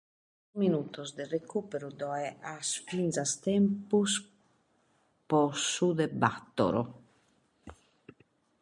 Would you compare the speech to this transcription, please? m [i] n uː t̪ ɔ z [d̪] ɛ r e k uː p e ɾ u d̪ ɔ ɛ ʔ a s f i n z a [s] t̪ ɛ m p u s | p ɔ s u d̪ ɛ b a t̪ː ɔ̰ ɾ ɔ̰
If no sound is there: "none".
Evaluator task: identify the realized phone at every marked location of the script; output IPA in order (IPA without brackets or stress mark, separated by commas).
i, d̪, s